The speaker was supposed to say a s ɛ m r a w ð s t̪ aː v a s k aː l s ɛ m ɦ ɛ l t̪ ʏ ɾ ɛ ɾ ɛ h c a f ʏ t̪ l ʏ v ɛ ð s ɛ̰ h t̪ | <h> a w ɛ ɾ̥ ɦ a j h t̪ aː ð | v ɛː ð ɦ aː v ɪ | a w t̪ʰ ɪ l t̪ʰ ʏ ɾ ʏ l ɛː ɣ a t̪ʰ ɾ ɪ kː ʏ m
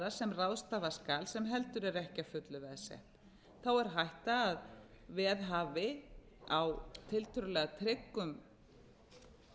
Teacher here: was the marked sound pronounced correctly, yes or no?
no